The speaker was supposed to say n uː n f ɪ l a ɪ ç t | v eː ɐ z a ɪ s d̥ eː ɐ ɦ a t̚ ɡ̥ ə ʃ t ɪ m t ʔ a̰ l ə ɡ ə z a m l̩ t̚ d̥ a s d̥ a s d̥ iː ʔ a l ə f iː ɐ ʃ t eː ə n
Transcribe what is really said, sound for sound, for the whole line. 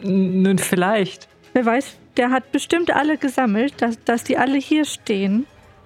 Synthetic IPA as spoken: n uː n f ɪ l a ɪ ç t | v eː ɐ v a ɪ s d̥ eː ɐ ɦ a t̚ b̥ ə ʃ t ɪ m t ʔ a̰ l ə ɡ ə z a m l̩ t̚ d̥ a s d̥ a s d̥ iː ʔ a l ə h iː ɐ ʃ t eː ə n